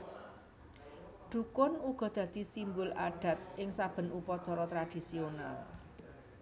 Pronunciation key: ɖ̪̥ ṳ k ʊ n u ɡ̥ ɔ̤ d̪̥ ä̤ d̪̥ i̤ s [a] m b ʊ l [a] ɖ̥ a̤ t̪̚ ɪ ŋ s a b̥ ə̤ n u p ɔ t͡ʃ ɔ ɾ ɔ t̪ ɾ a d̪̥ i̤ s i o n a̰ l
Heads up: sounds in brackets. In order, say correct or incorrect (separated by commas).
incorrect, correct